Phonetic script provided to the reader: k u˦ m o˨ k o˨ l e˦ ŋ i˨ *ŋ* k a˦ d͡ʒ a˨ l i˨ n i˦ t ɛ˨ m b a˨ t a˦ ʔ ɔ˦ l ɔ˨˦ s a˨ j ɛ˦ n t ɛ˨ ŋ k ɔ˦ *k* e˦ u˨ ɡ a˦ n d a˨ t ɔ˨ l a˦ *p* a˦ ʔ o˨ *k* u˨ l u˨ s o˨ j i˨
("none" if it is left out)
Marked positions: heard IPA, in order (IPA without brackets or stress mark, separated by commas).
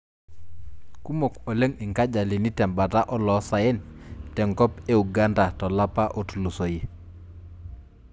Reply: ŋ, p, p, t